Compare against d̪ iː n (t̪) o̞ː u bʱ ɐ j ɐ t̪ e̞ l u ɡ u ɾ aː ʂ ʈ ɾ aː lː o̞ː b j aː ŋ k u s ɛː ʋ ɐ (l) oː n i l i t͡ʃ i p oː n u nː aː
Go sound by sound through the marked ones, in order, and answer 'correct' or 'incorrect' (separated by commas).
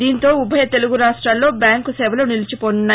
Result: correct, correct